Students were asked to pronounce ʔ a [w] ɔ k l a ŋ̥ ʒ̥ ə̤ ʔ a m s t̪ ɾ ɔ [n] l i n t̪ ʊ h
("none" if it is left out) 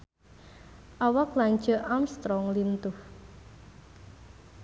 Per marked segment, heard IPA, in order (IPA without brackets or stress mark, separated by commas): w, ŋ